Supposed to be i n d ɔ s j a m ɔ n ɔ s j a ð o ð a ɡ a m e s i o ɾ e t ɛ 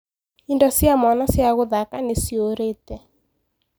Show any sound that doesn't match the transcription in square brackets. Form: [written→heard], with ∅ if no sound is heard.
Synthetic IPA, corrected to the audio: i n d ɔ s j a m ɔ n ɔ s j a [ð→ɣ] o ð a [ɡ→k] a [m→n] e s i o ɾ e t ɛ